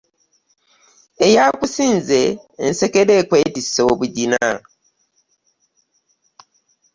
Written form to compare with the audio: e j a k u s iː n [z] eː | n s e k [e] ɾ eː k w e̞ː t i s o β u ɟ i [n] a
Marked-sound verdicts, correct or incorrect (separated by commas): correct, correct, correct